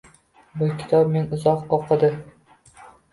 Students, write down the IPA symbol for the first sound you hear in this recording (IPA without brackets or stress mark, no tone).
b